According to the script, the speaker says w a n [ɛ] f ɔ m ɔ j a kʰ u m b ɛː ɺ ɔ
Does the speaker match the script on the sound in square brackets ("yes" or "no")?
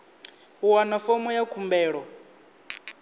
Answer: no